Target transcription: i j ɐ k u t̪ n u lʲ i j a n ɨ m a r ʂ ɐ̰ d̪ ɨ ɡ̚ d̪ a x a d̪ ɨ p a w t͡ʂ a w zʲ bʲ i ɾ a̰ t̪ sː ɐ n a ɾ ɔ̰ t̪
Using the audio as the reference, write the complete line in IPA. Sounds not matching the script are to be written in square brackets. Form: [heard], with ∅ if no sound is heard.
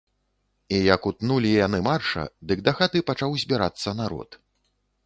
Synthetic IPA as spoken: i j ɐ k u t̪ n u lʲ i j a n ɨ m a r ʂ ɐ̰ d̪ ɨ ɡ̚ d̪ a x a [t̪] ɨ p a [∅] t͡ʂ a w zʲ bʲ i ɾ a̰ t̪ sː ɐ n a ɾ ɔ̰ t̪